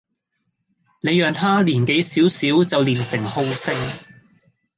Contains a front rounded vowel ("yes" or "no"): yes